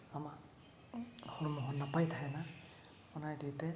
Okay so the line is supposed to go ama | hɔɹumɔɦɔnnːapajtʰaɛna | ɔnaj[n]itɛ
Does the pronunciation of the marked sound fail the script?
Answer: yes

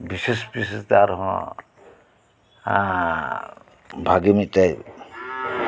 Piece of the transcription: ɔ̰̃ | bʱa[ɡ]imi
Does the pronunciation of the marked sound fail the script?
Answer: no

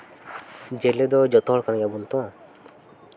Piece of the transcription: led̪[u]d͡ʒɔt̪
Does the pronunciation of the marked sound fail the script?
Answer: yes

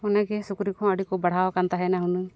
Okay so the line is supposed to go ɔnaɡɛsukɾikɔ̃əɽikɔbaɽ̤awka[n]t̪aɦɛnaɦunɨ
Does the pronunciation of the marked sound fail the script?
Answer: no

